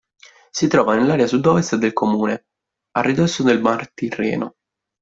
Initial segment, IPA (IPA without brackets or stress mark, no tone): s